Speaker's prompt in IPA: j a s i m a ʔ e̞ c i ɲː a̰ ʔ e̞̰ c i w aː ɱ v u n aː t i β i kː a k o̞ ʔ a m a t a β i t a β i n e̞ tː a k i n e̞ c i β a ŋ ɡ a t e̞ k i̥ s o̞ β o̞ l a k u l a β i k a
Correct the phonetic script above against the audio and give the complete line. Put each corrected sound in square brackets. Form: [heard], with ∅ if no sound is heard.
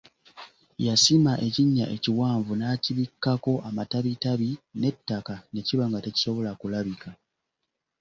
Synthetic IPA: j a s i m a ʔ e̞ c i ɲː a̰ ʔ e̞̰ c i w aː ɱ v u n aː [c] i β i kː a k o̞ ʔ a m a t a β i t a β i n e̞ tː a k [a] n e̞ c i β a ŋ ɡ a t e̞ [c] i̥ s o̞ β o̞ l a k u l a β i k a